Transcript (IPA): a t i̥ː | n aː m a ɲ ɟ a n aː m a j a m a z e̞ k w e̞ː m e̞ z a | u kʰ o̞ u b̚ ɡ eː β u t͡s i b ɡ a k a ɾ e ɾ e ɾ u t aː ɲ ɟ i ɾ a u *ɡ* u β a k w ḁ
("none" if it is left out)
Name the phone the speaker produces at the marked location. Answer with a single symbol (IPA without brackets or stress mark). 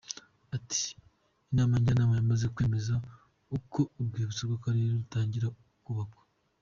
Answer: k